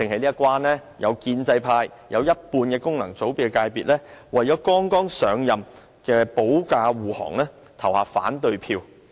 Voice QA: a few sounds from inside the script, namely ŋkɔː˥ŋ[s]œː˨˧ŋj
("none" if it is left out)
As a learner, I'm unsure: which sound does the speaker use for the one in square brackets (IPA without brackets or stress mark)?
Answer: s